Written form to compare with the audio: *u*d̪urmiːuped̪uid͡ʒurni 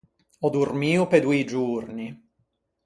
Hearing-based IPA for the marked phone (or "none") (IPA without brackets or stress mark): ɔ